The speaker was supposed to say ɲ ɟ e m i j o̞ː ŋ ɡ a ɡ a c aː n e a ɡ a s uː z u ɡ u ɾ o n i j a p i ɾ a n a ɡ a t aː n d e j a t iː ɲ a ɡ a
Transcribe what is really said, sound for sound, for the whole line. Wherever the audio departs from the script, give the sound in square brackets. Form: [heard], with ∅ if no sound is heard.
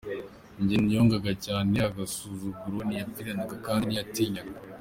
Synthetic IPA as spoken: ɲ ɟ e [n] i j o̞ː ŋ ɡ a ɡ a c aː n e a ɡ a s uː z u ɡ u ɾ o n i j a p i ɾ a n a ɡ a [k] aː n d [i] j a t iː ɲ a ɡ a